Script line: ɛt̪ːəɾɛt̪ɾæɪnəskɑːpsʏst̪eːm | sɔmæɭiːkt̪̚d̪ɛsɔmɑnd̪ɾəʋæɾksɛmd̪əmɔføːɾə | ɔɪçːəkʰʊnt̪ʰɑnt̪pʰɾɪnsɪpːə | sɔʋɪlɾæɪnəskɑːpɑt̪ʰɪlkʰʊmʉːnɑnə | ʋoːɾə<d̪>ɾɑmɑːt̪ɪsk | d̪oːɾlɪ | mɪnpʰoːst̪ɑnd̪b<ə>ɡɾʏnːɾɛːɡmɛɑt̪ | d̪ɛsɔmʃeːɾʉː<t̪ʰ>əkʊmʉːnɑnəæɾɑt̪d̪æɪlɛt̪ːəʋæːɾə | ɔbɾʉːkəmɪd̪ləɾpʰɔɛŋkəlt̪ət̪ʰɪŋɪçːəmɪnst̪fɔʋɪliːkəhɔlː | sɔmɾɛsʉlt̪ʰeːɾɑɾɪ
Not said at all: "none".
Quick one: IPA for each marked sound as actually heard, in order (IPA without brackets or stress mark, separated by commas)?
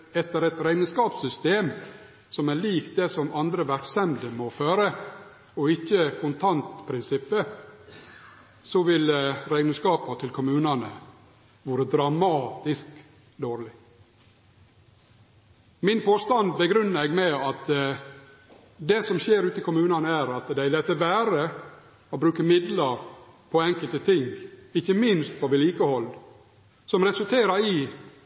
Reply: d̪, ə, t̪